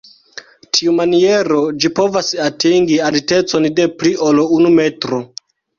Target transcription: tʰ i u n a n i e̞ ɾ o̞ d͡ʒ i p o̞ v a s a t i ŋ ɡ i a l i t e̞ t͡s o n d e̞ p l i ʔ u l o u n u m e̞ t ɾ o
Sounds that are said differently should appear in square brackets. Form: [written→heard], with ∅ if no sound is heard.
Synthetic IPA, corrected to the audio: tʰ i u [n→m] a n i e̞ ɾ o̞ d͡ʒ i p o̞ v a s a t i ŋ ɡ i a l i t e̞ t͡s o n d e̞ p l i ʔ [u→o] l o u n u m e̞ t ɾ o